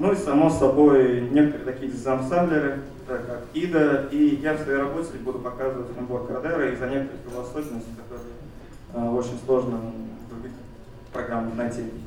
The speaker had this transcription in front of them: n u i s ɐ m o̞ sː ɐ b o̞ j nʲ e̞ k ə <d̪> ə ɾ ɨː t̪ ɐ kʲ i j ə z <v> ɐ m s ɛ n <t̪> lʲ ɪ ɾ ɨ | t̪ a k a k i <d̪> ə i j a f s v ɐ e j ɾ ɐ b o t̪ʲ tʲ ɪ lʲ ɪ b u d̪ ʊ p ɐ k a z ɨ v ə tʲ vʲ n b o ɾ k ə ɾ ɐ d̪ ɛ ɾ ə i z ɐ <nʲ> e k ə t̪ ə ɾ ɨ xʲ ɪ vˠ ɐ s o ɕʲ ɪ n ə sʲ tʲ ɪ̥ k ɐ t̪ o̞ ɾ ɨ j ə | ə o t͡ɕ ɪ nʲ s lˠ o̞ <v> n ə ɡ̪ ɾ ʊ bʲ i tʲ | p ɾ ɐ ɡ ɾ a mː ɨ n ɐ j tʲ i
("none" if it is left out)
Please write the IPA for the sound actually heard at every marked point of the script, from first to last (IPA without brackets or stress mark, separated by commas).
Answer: t̪, z, d̪, d̪, nʲ, ʐ